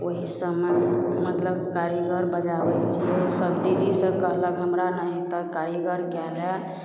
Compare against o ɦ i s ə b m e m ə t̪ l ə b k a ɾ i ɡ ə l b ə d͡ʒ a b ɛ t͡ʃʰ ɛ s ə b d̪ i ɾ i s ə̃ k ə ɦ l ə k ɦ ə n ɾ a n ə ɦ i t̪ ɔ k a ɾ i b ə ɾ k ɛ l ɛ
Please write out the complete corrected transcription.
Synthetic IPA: o ɦ i s ə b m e m ə t̪ l ə b k a ɾ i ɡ ə ɾ b ə d͡ʒ a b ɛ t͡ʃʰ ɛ s ə b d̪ i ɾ i s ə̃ k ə ɦ l ə k ɦ ə m ɾ a n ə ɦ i t̪ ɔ k a ɾ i ɡ ə ɾ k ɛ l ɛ